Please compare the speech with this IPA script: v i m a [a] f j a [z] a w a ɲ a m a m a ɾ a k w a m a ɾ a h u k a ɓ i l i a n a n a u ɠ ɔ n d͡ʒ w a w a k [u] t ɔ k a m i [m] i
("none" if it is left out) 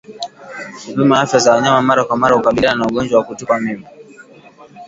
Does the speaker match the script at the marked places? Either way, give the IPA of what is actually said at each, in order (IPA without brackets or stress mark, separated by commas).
a, z, u, m